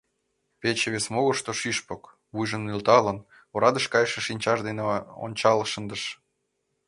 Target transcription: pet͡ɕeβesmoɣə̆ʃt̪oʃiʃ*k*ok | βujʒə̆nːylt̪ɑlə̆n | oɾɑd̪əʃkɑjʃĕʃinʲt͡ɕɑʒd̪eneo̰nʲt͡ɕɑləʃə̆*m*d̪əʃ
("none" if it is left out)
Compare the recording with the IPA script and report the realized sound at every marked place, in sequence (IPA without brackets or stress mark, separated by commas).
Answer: p, n